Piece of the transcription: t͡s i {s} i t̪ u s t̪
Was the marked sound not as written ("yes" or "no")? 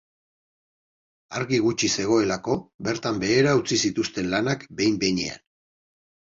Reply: no